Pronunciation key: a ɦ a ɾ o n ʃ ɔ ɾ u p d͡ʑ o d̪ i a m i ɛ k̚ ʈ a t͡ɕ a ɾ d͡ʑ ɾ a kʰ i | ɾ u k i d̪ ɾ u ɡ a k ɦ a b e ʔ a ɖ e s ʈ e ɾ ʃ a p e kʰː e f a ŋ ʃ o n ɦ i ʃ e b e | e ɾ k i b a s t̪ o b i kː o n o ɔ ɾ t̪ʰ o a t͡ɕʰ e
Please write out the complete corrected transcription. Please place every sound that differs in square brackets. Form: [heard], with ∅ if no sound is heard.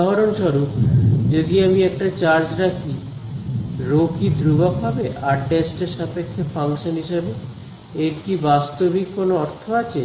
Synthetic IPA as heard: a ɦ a ɾ o n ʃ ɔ ɾ u p d͡ʑ o d̪ i a m i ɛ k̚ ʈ a t͡ɕ a ɾ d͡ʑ ɾ a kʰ i | ɾ [o] k i d̪ ɾ u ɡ a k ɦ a b e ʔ a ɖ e s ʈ e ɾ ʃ a p e kʰː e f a ŋ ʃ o n ɦ i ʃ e b e | e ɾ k i b a s t̪ o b i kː o n o ɔ ɾ t̪ʰ o a t͡ɕʰ e